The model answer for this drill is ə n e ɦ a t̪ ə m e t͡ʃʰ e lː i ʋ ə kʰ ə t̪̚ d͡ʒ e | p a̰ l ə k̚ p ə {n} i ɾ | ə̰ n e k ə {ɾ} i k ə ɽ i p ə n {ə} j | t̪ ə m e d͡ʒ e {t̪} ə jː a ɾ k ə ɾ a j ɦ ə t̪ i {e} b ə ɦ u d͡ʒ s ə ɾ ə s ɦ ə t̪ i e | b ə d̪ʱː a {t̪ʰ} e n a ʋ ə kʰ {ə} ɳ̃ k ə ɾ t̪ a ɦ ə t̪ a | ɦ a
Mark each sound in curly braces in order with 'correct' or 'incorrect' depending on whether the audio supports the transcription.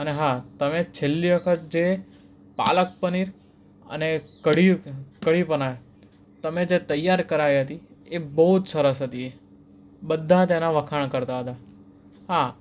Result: correct, incorrect, incorrect, correct, correct, incorrect, incorrect

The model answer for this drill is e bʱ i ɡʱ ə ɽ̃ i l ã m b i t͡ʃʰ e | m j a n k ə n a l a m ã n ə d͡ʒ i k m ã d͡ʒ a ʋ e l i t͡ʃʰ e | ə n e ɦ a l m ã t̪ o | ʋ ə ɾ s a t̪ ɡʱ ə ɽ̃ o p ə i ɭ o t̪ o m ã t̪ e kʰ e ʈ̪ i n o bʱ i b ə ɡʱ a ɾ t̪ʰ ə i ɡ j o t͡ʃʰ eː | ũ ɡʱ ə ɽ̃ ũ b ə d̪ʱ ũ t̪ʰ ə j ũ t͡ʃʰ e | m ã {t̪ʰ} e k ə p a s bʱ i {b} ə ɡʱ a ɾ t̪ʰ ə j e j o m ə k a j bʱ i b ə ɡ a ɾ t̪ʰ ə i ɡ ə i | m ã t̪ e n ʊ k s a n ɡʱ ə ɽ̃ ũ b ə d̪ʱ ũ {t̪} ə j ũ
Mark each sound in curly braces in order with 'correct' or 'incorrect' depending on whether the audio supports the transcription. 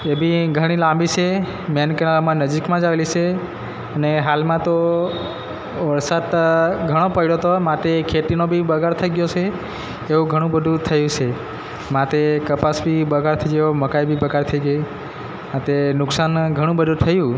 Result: incorrect, correct, incorrect

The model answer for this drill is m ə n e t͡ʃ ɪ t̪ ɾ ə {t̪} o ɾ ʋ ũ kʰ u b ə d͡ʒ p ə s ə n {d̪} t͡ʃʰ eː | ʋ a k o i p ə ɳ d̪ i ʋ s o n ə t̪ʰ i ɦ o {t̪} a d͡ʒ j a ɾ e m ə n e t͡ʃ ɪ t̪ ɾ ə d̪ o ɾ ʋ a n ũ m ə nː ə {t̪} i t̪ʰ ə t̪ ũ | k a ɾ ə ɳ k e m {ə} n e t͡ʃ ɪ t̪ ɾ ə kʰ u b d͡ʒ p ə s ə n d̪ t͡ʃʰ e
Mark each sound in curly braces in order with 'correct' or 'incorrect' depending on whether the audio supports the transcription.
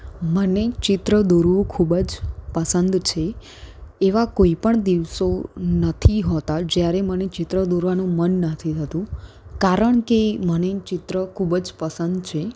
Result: incorrect, correct, correct, incorrect, correct

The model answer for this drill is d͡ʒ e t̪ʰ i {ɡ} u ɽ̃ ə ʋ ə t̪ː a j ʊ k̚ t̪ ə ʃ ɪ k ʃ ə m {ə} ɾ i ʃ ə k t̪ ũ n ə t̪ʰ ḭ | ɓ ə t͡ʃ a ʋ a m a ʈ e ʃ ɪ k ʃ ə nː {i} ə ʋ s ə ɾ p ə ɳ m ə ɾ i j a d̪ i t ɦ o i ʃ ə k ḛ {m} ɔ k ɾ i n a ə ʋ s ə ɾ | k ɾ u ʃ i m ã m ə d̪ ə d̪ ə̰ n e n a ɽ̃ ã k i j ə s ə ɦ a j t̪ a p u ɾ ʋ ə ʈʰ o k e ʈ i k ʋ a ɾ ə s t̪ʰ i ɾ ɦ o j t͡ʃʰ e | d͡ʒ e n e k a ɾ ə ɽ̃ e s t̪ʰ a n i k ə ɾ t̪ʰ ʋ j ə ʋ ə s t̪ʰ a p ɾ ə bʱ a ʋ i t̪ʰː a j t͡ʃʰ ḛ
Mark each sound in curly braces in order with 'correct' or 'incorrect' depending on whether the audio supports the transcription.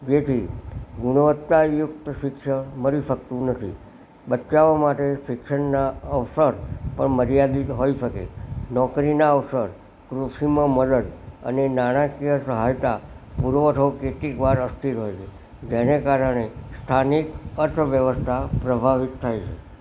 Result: correct, correct, incorrect, incorrect

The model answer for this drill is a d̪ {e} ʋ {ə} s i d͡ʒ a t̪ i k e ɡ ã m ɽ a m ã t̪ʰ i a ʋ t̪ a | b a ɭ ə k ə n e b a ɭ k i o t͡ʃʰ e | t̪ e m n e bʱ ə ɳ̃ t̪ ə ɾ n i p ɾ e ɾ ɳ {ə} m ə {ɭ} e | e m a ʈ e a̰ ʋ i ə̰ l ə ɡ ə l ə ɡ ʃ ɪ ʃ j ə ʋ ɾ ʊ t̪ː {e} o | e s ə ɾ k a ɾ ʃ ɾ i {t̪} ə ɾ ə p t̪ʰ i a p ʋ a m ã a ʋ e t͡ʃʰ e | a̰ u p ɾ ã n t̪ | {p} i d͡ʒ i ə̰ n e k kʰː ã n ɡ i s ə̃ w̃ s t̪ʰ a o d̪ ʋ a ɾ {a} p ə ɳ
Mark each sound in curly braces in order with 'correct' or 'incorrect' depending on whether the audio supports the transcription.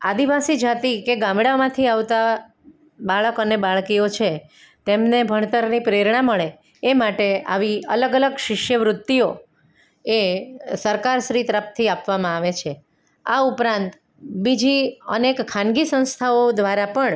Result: incorrect, incorrect, incorrect, correct, incorrect, correct, incorrect, correct

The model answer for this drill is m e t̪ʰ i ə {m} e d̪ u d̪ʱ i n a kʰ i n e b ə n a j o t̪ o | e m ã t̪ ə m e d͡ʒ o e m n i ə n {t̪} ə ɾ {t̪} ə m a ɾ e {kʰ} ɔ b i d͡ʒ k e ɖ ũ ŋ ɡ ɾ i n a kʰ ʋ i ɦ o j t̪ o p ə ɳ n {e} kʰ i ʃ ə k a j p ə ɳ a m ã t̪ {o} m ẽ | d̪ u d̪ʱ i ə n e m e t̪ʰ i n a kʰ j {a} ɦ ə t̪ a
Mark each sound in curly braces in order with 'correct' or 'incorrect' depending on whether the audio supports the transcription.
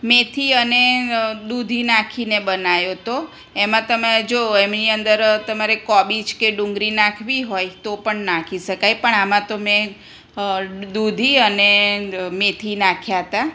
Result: incorrect, incorrect, correct, incorrect, incorrect, correct, correct

